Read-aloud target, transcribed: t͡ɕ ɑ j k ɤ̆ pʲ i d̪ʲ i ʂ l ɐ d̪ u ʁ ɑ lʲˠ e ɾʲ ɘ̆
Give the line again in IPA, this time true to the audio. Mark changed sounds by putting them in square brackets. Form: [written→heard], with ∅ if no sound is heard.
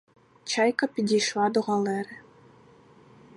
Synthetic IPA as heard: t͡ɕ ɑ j k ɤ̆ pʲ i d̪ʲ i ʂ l [ɐ→ɑ] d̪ u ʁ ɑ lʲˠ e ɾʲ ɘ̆